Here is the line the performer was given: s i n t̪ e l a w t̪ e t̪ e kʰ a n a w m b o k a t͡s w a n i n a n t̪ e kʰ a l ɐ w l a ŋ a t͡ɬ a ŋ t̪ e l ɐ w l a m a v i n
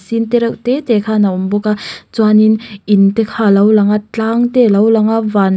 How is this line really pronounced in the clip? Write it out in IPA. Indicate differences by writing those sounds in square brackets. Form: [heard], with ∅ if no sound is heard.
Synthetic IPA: s i n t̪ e [ɾ] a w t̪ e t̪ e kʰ a n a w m b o k a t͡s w a n i n [i] n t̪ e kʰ a l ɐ w l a ŋ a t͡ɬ a ŋ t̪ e l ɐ w l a [ŋ] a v [a] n